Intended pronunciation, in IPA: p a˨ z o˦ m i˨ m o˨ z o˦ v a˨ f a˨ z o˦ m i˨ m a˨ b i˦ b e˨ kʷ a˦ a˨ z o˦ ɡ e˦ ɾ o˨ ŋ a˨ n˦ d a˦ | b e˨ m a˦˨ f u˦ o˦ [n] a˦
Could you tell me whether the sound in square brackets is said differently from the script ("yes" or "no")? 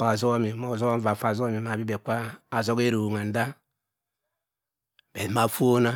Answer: no